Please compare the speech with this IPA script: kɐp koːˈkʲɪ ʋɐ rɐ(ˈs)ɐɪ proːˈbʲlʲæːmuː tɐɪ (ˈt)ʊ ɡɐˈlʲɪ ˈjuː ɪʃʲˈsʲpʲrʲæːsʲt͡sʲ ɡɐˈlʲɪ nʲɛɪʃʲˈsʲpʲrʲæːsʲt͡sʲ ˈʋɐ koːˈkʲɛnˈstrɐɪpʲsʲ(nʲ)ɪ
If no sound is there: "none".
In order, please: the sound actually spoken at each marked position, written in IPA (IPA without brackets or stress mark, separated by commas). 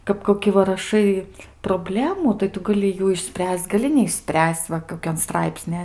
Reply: ʃ, t, nʲ